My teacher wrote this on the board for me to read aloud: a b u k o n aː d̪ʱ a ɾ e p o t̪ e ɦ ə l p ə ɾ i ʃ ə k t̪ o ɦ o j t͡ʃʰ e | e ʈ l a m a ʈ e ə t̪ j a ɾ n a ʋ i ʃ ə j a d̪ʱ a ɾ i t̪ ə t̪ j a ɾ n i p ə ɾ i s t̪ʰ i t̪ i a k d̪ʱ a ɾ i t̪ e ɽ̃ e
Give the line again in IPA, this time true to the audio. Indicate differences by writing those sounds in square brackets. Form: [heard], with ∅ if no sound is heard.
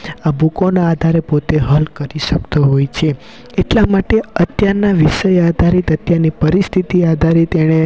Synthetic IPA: a b u k o n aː d̪ʱ a ɾ e p o t̪ e ɦ ə l [k] ə ɾ i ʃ ə k t̪ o ɦ o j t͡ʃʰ e | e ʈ l a m a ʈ e ə t̪ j a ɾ n a ʋ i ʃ ə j a d̪ʱ a ɾ i t̪ ə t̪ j a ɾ n i p ə ɾ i s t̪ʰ i t̪ i a [∅] d̪ʱ a ɾ i t̪ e ɽ̃ e

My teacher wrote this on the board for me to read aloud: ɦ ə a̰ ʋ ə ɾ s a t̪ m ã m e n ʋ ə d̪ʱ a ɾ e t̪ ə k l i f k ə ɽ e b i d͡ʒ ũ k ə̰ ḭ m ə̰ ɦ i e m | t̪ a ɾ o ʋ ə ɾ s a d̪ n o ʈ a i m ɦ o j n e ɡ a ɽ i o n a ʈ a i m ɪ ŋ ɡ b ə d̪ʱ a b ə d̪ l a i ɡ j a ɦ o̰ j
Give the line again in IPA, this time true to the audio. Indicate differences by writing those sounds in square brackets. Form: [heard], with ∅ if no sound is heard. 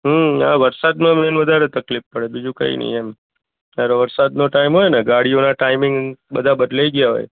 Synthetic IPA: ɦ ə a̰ ʋ ə ɾ s a [d̪] m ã m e n ʋ ə d̪ʱ a ɾ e t̪ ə k l i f [p] ə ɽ e b i d͡ʒ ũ k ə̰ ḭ [n] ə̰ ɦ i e m | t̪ a ɾ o ʋ ə ɾ s a d̪ n o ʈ a i m ɦ o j n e ɡ a ɽ i o n a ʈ a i m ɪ ŋ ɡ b ə d̪ʱ a b ə d̪ l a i ɡ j a ɦ o̰ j

